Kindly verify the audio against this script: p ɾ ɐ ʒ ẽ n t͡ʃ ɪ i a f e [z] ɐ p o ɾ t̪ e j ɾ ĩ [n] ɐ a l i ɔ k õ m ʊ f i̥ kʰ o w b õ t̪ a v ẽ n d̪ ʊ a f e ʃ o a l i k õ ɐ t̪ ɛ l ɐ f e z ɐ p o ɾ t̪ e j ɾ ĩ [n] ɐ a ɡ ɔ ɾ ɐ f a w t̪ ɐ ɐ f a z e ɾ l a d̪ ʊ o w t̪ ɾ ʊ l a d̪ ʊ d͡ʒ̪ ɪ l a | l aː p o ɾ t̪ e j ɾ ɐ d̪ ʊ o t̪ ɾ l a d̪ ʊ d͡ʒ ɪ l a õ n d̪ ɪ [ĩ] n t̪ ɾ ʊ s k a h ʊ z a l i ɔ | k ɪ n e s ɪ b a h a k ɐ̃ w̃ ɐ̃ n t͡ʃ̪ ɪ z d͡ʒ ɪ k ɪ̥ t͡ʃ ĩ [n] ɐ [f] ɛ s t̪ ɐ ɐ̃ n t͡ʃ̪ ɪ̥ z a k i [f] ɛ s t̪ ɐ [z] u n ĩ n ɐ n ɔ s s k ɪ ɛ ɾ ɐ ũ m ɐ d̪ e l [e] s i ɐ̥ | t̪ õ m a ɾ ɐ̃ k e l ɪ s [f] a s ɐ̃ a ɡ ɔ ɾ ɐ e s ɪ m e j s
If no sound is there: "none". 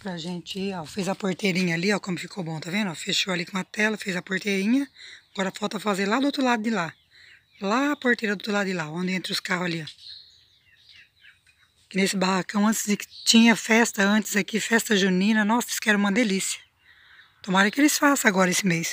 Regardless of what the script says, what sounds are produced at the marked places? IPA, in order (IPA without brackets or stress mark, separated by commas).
z, ɲ, ɲ, ẽ, ɲ, f, f, ʒ, i, f